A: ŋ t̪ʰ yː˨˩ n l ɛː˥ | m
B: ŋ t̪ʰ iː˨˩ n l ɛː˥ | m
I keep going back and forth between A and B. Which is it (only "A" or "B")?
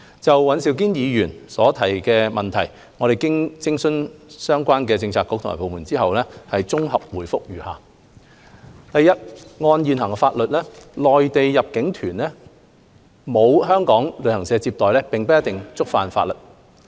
A